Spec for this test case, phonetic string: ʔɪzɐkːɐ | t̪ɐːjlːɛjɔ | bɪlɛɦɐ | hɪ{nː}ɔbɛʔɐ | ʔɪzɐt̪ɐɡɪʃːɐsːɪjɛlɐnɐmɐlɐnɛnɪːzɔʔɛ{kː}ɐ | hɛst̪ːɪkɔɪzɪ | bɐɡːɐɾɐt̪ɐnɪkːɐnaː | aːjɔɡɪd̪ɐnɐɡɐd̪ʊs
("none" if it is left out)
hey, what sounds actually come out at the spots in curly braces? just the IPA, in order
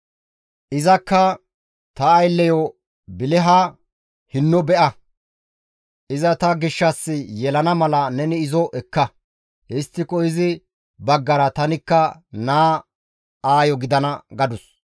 nː, kː

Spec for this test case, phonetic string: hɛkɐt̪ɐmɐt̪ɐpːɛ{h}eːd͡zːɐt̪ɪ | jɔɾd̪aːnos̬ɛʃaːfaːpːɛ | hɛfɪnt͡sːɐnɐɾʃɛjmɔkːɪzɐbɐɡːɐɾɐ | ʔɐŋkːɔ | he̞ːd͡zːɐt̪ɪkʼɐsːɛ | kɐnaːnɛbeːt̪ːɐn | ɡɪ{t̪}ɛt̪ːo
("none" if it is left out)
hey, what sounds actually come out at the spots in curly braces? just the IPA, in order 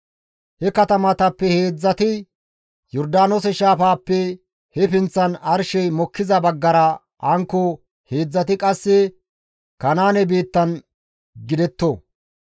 h, d̪

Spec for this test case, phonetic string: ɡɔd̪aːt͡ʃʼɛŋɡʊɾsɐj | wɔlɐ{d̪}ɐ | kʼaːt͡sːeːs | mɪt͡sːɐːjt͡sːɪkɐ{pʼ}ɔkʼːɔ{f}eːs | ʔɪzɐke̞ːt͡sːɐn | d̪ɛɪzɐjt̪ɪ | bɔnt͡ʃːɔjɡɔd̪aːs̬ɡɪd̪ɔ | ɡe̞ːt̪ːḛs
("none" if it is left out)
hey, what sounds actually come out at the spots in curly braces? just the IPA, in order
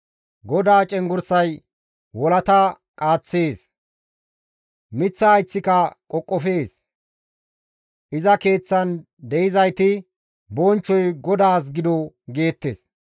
t̪, kʼ, f

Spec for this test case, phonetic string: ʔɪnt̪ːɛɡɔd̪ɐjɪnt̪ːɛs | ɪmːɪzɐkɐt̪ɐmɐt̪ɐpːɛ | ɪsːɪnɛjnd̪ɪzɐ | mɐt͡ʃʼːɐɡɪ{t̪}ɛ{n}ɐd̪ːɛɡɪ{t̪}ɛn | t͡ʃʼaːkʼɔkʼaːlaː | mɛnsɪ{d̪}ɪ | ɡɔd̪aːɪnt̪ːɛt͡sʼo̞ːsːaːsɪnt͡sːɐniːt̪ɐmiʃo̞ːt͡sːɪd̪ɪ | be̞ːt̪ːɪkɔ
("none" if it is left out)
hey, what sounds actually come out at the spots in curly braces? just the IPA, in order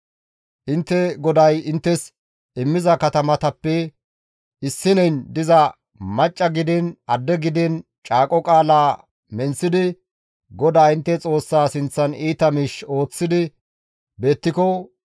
d̪, n, d̪, d̪

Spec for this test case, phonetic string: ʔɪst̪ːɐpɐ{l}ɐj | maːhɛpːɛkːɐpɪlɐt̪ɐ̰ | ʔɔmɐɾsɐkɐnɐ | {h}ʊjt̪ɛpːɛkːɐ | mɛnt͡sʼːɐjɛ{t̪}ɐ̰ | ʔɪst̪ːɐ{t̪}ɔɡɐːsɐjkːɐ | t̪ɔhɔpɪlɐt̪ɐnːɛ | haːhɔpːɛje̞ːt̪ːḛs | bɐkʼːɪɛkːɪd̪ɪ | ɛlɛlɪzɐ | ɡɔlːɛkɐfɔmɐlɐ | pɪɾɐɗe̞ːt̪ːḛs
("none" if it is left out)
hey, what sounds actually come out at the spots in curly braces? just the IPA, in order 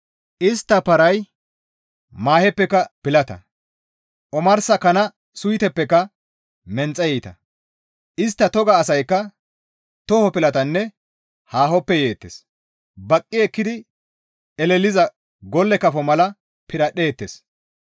ɾ, s, t̪, t̪

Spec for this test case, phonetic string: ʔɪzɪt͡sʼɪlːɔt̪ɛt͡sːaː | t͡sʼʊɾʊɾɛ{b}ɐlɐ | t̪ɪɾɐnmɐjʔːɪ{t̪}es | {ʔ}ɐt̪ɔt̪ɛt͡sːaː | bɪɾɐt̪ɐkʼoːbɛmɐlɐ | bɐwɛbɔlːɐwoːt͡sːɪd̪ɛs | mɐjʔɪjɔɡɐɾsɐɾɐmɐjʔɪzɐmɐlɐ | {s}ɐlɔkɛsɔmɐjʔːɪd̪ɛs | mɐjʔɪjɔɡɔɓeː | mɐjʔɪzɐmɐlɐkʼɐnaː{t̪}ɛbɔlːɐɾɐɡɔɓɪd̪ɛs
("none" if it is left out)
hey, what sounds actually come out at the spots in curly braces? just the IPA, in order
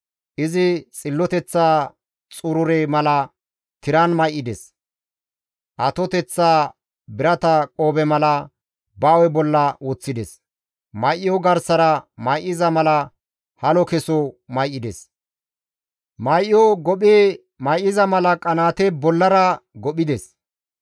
m, d̪, ʔ, h, t̪

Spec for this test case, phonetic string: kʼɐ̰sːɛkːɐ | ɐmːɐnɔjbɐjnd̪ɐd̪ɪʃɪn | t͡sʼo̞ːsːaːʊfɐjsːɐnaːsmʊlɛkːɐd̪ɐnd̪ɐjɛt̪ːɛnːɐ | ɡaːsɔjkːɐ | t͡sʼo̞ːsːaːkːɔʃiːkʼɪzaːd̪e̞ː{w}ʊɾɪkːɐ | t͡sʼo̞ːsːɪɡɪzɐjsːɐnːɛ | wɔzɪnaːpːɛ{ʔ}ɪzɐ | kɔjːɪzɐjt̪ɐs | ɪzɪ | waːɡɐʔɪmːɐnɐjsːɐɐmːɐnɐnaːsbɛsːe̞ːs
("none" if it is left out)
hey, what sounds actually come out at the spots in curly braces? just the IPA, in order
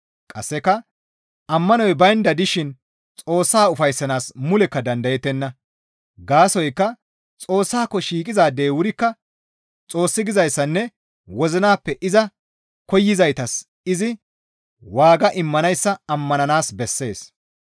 w, ʔ

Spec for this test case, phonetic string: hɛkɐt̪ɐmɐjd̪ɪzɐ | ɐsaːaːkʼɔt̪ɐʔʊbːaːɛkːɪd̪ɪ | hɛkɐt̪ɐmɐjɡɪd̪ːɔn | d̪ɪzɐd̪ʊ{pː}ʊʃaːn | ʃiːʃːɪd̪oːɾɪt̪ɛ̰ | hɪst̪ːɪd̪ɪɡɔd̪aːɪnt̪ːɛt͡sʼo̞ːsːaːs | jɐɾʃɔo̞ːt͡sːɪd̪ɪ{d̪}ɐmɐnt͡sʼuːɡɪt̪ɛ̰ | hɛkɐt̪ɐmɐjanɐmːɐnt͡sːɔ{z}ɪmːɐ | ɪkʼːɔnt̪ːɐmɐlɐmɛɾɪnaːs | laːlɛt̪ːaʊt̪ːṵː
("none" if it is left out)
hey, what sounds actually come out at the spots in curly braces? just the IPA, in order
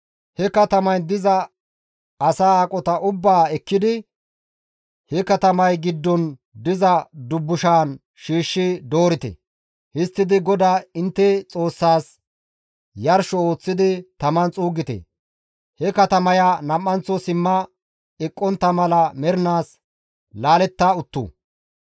bː, t̪, s

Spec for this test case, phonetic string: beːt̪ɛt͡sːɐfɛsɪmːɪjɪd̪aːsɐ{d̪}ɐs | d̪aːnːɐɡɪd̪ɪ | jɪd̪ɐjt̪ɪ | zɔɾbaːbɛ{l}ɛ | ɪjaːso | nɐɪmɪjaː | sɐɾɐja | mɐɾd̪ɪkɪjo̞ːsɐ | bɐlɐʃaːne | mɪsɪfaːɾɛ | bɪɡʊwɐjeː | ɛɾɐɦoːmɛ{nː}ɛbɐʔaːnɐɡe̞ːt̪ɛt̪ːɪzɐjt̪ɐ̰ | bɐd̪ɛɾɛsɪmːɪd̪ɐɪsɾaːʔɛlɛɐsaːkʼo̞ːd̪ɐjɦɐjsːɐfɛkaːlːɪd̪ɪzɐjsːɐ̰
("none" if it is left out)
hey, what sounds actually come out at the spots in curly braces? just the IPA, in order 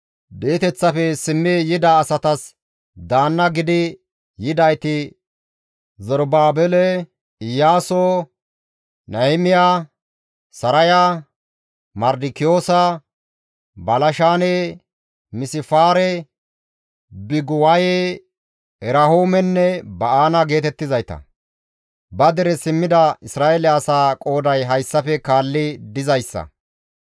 t̪, l, nː

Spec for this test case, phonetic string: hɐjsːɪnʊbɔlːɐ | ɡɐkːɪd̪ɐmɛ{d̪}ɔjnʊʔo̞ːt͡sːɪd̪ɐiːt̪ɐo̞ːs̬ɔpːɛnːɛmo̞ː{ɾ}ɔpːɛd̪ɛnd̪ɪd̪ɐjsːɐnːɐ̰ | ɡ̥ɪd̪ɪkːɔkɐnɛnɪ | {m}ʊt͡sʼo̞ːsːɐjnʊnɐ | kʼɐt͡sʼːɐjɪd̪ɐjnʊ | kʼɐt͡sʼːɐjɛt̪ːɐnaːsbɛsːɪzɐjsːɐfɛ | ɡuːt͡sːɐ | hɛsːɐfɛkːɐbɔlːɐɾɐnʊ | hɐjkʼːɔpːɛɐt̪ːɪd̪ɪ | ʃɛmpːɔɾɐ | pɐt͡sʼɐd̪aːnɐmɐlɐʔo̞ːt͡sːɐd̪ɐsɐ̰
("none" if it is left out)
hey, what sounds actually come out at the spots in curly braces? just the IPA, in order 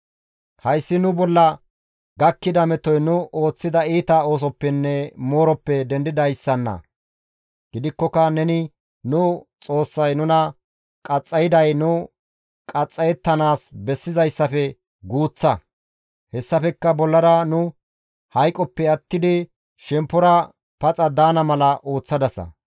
t̪, ɾ, n

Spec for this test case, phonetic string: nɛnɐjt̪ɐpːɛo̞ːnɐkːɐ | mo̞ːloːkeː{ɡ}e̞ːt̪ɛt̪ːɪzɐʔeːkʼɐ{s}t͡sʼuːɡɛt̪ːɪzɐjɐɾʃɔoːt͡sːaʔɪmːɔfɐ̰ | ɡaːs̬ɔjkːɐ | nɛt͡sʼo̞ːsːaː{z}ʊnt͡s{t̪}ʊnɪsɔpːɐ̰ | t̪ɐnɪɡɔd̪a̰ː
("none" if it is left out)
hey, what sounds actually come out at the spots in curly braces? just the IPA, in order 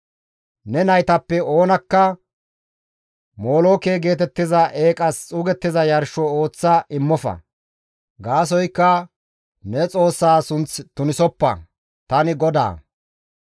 ɡ, s, s, t̪

